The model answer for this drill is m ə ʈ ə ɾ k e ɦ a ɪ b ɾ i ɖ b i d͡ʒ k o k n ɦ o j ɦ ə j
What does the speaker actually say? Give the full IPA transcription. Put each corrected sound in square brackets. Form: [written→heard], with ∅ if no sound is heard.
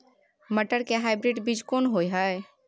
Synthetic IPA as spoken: m ə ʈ ə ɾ k e ɦ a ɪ b ɾ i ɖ b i d͡ʒ k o [k→∅] n ɦ o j ɦ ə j